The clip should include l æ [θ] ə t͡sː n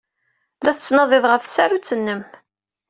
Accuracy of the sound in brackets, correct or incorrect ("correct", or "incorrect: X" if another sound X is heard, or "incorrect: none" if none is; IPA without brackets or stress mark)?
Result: correct